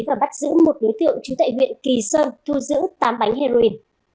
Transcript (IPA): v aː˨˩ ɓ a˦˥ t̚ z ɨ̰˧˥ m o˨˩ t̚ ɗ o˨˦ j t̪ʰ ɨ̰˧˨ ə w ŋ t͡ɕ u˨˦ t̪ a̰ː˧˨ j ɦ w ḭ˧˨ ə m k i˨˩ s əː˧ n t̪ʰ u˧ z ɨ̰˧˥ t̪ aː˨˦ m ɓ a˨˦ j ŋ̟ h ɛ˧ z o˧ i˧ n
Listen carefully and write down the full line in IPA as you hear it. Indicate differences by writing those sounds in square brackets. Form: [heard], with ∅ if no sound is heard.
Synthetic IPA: v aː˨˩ ɓ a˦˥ t̚ z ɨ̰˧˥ m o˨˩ t̚ ɗ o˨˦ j [t̪] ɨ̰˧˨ ə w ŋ t͡ɕ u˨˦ t̪ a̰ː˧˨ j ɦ w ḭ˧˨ ə [n] k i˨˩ s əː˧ n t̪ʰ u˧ z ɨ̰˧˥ t̪ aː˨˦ m ɓ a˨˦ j ŋ̟ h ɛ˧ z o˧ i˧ n